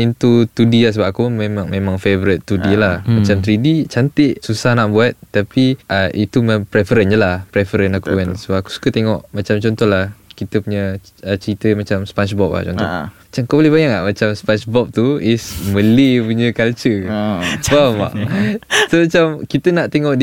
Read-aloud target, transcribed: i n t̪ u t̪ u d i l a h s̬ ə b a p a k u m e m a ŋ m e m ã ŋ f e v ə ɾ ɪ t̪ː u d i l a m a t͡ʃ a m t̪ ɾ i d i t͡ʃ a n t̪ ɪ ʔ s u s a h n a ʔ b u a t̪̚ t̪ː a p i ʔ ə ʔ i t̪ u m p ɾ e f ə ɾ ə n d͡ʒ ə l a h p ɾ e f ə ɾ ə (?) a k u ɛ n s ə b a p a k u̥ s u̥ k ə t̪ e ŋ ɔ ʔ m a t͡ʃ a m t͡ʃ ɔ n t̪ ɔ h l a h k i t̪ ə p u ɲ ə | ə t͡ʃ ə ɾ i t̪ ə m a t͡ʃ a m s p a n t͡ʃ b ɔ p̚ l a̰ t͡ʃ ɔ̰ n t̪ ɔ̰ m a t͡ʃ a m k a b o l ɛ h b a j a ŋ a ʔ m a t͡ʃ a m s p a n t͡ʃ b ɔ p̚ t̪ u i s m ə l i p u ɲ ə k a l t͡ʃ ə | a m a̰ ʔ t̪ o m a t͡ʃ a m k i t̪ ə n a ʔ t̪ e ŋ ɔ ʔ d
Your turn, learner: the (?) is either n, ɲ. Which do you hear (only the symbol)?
n